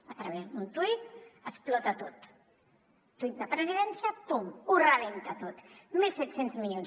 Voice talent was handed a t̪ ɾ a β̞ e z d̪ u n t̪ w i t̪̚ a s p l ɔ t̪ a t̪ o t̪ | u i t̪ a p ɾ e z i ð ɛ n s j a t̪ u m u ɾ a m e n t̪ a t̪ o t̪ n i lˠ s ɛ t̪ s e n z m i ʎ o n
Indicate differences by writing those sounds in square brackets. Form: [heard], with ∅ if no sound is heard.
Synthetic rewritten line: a t̪ ɾ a β̞ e z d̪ u n t̪ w i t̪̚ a s p l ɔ t̪ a t̪ o t̪ | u i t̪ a p ɾ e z i ð ɛ n s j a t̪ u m u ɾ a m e n t̪ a t̪ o t̪ [m] i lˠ s ɛ t̪ s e n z m i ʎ o n